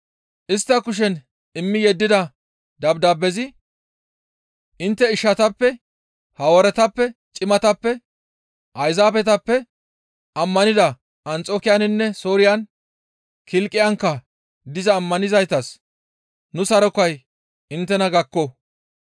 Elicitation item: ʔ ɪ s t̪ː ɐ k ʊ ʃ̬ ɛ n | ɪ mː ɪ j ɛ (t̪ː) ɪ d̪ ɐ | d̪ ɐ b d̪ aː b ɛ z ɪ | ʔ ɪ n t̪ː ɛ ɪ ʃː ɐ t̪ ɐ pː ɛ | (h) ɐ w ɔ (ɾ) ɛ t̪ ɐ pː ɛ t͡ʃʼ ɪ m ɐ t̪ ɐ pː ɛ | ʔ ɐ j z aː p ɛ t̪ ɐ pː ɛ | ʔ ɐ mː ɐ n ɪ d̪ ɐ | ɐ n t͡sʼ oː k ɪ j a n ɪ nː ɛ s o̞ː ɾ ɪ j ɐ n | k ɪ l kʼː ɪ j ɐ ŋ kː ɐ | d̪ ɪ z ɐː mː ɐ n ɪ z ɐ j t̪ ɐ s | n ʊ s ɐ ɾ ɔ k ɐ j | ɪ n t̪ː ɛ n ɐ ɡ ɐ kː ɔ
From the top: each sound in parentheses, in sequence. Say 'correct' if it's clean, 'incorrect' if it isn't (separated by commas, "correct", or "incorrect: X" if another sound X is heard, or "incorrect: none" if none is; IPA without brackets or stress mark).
incorrect: d̪ː, correct, correct